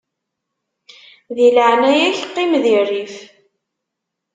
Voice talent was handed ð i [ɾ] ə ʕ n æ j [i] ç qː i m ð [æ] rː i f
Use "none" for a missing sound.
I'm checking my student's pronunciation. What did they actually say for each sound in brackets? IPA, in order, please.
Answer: l, æ, i

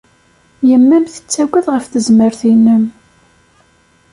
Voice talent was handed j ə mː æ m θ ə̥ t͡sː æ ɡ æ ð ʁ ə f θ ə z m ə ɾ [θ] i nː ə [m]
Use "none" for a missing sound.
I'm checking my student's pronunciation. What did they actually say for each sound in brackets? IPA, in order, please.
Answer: θ, m

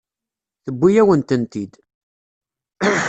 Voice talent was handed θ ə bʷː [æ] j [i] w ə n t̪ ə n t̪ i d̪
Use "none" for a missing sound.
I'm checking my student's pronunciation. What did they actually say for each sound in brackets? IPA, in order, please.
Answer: i, æ

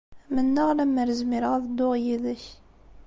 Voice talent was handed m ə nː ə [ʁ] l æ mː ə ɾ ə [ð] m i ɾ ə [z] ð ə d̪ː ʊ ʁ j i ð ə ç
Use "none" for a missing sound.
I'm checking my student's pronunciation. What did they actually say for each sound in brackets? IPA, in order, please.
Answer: ʁ, z, ʁ

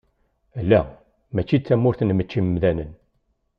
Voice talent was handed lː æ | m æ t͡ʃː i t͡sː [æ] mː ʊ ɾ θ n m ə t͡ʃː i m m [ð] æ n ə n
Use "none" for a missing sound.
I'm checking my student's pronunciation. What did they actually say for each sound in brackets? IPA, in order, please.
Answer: æ, ð

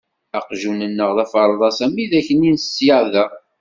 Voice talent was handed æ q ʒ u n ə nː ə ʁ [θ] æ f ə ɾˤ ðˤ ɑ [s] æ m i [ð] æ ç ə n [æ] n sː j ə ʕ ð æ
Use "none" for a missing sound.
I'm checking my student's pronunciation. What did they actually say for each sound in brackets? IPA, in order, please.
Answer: ð, s, ð, i

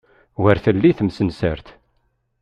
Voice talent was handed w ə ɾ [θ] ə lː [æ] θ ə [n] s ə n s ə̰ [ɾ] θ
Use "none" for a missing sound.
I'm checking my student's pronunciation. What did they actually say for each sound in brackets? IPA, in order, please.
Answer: θ, i, m, ɾ

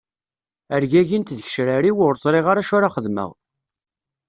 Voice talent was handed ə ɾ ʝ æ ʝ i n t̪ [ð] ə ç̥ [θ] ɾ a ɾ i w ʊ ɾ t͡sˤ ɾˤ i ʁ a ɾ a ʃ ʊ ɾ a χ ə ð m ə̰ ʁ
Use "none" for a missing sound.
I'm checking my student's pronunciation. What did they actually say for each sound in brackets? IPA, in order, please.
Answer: ð, ʃ

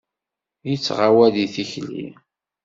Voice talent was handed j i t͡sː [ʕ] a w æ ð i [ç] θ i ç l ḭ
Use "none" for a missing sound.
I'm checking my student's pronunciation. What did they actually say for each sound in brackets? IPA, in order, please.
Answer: ʁ, none

